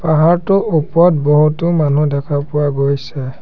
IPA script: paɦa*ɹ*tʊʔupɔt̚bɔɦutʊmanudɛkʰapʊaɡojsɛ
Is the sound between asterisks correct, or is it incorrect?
correct